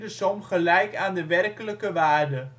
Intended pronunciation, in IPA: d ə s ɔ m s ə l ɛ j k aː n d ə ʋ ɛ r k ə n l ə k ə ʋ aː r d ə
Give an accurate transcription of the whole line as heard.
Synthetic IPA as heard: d ə s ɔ m χ ə l ɛ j k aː n d ə ʋ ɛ r k ə l ə k ə ʋ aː r d ə